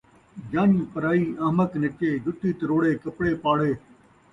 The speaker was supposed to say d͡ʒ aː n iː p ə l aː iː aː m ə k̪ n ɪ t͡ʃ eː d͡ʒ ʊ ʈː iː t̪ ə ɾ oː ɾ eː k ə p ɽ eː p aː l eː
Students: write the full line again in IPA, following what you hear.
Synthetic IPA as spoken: d͡ʒ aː n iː p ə ɾ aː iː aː m ə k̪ n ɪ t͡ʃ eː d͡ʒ ʊ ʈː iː t̪ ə ɾ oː ɽ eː k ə p ɽ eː p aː ɽ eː